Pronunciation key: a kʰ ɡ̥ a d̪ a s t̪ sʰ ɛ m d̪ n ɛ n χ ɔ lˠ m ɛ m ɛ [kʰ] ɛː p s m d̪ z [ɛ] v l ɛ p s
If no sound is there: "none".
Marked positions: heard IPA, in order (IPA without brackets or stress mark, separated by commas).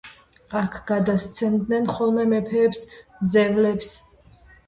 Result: pʰ, ɛ